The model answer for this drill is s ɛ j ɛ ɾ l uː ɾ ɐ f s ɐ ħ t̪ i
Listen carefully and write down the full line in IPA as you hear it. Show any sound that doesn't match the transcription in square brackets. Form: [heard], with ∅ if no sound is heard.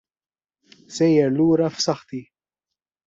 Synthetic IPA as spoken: s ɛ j ɛ ɾ l uː ɾ ɐ f s ɐ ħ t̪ i